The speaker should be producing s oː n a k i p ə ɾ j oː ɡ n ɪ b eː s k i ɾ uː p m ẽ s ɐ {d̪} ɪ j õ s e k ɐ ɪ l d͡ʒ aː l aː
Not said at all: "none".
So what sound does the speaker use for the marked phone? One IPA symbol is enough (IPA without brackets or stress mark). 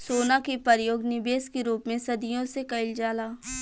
d̪